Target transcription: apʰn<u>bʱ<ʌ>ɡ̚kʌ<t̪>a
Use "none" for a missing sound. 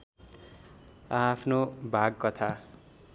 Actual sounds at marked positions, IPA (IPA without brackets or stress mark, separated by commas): o, a, t̪ʰ